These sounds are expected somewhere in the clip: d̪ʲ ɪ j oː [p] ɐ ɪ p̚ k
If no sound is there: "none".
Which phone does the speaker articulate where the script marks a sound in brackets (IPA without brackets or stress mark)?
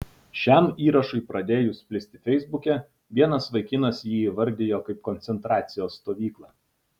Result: k